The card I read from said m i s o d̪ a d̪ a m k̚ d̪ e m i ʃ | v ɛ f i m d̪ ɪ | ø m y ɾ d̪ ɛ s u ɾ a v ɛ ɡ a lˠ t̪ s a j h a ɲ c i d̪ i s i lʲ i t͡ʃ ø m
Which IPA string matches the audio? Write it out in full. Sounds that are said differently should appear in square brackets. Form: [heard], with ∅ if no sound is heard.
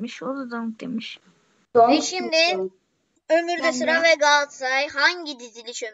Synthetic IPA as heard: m i [ʃ] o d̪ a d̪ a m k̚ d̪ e m i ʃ | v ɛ [ʃ] i m d̪ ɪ | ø m y ɾ d̪ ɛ s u ɾ a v ɛ ɡ a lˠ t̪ s a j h a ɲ [ɟ] i d̪ i [z] i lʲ i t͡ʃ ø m